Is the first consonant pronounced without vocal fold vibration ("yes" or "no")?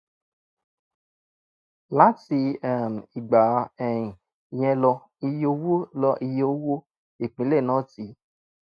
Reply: no